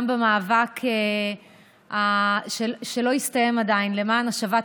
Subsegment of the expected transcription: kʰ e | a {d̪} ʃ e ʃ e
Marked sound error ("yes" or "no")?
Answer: yes